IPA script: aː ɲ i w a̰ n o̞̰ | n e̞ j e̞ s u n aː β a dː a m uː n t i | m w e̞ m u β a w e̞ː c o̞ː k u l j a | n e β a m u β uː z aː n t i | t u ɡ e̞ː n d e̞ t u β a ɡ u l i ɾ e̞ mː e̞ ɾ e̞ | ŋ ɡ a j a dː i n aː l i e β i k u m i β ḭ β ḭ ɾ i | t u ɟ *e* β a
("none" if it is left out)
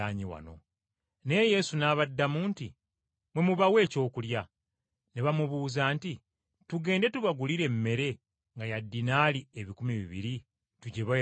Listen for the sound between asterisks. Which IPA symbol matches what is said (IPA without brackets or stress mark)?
e